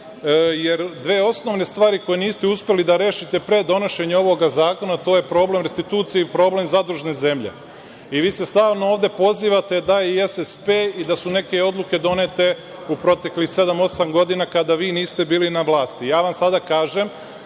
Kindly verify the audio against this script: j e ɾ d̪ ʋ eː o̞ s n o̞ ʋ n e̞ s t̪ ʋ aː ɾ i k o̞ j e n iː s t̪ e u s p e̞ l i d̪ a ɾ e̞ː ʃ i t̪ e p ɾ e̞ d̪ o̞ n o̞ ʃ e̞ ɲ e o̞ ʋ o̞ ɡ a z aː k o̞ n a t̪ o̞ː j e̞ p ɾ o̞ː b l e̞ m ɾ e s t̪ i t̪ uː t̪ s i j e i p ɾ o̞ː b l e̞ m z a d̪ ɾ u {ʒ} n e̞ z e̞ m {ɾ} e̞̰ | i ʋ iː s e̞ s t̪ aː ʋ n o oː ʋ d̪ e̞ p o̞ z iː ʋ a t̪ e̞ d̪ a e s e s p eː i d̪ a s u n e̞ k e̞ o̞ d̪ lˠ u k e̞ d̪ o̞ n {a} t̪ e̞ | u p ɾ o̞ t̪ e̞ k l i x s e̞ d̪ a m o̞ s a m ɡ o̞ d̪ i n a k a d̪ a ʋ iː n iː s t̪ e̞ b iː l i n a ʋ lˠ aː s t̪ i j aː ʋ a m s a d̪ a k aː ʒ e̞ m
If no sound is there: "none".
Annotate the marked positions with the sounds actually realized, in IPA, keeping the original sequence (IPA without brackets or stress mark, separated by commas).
ʒ, ʎ, e